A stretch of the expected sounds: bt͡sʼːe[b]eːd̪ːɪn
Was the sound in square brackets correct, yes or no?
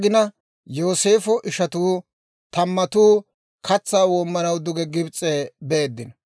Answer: yes